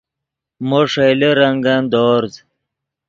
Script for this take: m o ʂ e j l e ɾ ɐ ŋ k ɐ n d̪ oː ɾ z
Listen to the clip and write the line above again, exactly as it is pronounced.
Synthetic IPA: m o ʂ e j l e ɾ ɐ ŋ ɡ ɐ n d̪ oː ɾ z